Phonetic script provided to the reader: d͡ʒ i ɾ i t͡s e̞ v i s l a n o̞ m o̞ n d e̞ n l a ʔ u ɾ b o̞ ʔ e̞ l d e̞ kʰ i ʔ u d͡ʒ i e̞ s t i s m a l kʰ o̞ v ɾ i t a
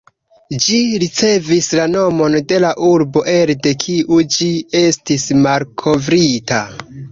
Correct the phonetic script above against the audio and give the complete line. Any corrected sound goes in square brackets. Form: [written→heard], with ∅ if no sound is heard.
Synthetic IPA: d͡ʒ i ɾ i t͡s e̞ v i s l a n o̞ m o̞ n d e̞ [n→∅] l a ʔ u ɾ b o̞ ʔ e̞ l d e̞ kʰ i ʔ u d͡ʒ i e̞ s t i s m a l kʰ o̞ v ɾ i t a